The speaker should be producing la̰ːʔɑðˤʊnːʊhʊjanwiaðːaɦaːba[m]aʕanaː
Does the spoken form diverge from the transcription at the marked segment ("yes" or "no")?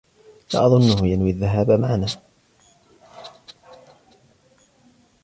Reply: no